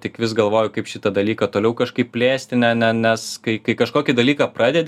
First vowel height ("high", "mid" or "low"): high